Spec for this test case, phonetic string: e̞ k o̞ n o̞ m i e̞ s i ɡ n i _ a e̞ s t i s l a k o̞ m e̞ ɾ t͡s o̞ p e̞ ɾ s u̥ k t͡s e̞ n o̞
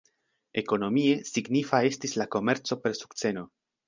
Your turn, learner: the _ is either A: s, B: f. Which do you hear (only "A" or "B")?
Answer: B